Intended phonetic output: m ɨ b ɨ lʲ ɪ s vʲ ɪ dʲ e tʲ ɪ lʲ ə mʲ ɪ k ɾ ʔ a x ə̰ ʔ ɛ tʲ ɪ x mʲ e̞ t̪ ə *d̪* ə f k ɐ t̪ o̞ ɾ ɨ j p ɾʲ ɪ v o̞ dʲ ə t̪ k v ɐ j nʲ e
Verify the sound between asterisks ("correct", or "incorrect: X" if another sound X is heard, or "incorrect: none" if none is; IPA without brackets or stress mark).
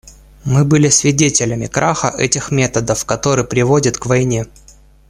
correct